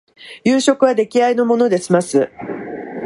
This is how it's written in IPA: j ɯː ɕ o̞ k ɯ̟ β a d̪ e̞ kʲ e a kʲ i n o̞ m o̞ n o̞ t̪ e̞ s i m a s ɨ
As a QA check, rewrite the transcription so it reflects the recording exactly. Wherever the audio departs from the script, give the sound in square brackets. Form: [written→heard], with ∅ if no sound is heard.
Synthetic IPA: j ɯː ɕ o̞ k ɯ̟ β a d̪ e̞ kʲ [e→i] a [kʲ→∅] i n o̞ m o̞ n o̞ [t̪→d̪] e̞ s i m a s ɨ